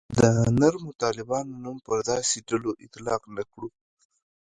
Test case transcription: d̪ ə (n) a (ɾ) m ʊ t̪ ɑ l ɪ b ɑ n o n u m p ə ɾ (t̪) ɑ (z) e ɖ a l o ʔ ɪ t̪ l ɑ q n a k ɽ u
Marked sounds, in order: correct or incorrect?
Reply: correct, correct, incorrect: d̪, incorrect: s

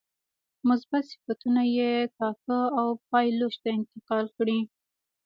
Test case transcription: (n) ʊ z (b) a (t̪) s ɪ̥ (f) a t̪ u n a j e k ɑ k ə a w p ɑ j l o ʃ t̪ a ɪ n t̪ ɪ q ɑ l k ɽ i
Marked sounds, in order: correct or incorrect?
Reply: incorrect: m, correct, correct, correct

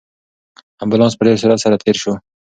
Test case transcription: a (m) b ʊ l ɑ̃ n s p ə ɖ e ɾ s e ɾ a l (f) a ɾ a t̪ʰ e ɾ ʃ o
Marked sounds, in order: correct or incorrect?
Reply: correct, incorrect: s

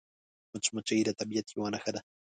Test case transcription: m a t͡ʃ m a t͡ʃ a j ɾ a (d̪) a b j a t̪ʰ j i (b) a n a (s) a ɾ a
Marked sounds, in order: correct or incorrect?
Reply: incorrect: t̪, incorrect: w, incorrect: x

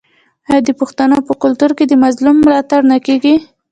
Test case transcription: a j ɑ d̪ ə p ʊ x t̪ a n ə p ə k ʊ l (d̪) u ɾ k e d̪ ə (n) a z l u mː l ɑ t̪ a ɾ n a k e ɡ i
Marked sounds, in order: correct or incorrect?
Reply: incorrect: t̪, incorrect: m

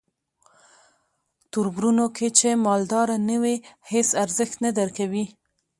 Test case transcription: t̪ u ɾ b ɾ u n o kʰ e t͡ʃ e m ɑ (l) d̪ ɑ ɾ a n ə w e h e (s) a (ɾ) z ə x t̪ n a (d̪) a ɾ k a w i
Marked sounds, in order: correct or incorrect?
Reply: correct, correct, correct, correct

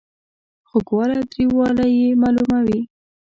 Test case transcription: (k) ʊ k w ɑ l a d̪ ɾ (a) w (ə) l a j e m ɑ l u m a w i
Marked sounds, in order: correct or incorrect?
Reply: incorrect: x, incorrect: i, incorrect: ɑ

